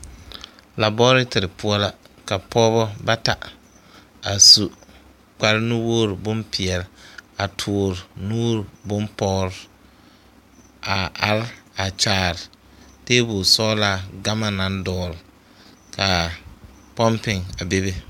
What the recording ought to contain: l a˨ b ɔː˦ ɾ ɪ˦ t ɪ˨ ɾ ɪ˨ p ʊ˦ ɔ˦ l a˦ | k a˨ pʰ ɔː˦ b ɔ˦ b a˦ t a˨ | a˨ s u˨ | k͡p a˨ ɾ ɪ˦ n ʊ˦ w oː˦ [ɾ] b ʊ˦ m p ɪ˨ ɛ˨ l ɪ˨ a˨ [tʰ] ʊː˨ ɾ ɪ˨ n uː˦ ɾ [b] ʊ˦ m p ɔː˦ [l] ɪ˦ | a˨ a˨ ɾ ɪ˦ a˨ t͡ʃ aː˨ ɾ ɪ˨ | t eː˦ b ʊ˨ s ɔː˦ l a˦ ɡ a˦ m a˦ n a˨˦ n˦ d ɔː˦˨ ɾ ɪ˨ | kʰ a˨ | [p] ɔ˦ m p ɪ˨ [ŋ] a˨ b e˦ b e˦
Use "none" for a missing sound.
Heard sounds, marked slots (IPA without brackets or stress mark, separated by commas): ɾ, tʰ, b, ɾ, p, ŋ